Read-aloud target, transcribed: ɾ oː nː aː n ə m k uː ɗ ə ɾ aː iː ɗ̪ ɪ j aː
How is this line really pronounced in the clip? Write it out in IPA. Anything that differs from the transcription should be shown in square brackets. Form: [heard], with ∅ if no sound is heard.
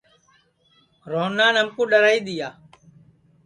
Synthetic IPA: ɾ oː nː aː n ə m k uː ɗ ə ɾ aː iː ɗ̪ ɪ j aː

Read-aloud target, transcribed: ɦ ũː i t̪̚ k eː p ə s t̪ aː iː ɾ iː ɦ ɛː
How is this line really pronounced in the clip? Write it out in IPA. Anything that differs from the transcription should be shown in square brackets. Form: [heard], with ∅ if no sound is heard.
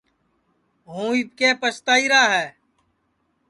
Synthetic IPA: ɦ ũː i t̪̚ k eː p ə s t̪ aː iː ɾ [aː] ɦ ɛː

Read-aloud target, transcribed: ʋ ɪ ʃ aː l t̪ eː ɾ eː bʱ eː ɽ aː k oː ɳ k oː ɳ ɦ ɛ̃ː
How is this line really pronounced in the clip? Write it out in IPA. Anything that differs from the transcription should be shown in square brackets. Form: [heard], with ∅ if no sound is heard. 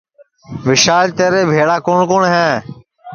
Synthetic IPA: ʋ ɪ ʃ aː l t̪ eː ɾ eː bʱ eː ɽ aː k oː ɳ k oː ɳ ɦ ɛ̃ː

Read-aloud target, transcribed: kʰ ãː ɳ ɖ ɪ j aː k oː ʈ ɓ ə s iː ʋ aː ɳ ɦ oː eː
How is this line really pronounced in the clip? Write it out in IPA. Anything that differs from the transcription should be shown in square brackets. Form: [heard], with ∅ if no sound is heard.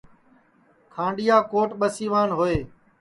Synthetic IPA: kʰ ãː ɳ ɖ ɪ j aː k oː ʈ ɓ ə s iː ʋ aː [n] ɦ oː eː

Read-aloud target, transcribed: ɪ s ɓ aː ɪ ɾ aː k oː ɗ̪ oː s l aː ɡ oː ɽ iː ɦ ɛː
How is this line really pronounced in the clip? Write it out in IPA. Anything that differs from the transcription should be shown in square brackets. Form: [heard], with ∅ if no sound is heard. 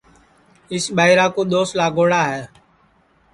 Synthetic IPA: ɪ s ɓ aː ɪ ɾ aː k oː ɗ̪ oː s l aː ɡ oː ɽ [aː] ɦ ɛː

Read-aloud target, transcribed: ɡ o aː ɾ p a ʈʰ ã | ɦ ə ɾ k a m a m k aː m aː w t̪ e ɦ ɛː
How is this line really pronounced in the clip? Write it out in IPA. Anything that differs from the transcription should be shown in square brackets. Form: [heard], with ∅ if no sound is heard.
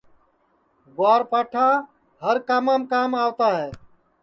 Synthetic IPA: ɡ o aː ɾ p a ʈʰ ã | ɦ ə ɾ k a m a m k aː m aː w t̪ [a] ɦ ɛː

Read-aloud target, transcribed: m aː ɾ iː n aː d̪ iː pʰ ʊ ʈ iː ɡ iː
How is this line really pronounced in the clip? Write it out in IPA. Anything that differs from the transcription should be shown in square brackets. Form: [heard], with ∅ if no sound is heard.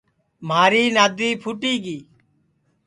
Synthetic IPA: m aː ɾ iː n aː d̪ iː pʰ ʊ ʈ iː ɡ iː

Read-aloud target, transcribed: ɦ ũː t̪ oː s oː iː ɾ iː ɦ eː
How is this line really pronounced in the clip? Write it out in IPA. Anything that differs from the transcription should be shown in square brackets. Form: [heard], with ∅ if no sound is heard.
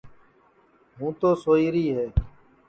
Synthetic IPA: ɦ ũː t̪ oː s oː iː ɾ iː ɦ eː

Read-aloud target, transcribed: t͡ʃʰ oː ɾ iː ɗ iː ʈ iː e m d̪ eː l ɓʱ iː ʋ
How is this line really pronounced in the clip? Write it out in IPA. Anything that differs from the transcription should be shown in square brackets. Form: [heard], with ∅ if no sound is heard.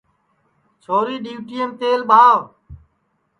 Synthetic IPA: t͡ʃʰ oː ɾ iː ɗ iː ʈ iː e m [t̪] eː l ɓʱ [aː] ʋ

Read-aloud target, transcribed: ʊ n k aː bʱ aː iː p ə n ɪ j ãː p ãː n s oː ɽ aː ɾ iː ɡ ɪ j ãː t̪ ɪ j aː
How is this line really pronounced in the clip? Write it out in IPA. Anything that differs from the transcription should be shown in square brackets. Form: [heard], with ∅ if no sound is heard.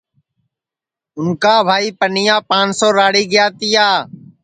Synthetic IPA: ʊ n k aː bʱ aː iː p ə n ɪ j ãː p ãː n s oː [ɾ] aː [ɽ] iː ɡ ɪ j [aː] t̪ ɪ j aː

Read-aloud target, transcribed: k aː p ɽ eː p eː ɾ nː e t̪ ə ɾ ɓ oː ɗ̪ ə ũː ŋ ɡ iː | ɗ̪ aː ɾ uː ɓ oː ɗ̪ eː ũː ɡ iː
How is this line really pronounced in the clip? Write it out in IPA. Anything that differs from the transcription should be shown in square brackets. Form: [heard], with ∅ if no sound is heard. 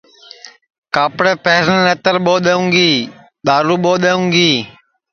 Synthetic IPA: k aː p ɽ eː p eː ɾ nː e t̪ ə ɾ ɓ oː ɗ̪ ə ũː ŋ ɡ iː | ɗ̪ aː ɾ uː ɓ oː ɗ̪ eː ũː ɡ iː

